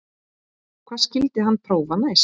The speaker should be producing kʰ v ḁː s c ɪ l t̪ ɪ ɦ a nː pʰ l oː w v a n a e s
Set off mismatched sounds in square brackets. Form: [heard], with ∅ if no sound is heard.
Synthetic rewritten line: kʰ v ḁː s c ɪ l t̪ ɪ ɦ a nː pʰ [ɾ] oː w v a n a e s